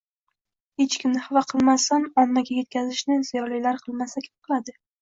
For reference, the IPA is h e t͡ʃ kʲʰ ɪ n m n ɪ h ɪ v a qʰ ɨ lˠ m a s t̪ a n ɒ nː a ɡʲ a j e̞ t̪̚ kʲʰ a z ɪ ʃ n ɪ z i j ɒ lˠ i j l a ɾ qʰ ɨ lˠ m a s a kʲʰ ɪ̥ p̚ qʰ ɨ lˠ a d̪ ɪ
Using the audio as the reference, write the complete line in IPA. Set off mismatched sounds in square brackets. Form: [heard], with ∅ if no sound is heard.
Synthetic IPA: h e t͡ʃ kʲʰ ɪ [∅] m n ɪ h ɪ v a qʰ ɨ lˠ m a s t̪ a n ɒ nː a ɡʲ a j e̞ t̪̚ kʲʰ a z ɪ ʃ n ɪ z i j ɒ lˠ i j l a ɾ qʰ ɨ lˠ m a s a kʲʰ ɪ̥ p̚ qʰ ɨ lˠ a d̪ ɪ